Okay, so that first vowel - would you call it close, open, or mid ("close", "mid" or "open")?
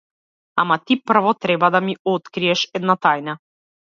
open